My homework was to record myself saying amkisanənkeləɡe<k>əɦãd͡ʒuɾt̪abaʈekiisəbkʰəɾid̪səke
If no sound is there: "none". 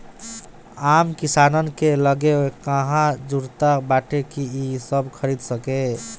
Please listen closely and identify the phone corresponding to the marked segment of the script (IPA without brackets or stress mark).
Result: k